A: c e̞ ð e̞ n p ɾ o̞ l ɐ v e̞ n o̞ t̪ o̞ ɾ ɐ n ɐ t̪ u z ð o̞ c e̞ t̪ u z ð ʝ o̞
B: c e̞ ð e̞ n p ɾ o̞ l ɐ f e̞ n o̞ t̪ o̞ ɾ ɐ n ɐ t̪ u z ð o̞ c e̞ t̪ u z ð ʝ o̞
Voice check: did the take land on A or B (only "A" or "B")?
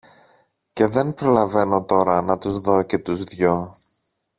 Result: A